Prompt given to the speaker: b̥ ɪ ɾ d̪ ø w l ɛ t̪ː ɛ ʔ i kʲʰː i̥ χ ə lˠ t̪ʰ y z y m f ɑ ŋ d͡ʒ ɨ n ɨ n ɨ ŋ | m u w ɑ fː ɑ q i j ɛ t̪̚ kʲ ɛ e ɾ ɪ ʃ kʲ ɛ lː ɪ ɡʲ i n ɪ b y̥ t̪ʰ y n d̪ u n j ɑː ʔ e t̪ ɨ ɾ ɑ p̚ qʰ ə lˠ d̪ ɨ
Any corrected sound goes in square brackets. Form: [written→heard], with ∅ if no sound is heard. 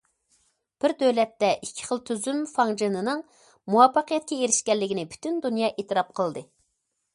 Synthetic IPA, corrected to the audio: b̥ ɪ ɾ d̪ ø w l ɛ t̪ː ɛ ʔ i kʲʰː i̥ χ ə lˠ t̪ʰ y z y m f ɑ ŋ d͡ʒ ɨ n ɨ n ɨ ŋ | m u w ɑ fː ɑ q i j ɛ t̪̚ kʲ ɛ e ɾ ɪ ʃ kʲ ɛ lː ɪ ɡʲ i n ɪ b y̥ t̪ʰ y n d̪ u n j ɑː ʔ e t̪ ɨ ɾ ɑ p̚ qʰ ə lˠ d̪ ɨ